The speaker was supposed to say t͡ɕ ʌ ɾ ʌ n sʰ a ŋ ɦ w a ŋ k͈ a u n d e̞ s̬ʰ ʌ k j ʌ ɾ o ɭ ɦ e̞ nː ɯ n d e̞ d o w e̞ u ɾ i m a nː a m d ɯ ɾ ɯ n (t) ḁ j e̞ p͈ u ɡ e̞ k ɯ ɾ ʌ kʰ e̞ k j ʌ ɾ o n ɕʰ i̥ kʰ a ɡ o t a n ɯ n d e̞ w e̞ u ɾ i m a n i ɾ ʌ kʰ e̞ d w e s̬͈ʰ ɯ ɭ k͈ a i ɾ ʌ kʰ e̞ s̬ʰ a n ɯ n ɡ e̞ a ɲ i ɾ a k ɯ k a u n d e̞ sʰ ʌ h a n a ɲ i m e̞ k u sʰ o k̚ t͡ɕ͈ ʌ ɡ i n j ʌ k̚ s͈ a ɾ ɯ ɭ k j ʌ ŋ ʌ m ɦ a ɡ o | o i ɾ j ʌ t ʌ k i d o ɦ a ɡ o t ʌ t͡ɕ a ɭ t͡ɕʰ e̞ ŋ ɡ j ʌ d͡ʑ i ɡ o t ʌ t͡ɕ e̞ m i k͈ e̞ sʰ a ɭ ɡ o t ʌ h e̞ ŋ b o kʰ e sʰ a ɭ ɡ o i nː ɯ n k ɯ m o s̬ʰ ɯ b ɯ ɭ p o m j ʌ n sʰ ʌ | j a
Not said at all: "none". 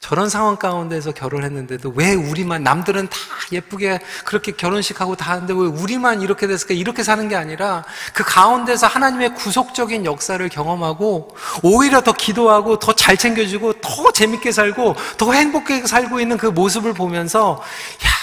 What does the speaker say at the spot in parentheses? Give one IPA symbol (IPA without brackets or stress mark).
t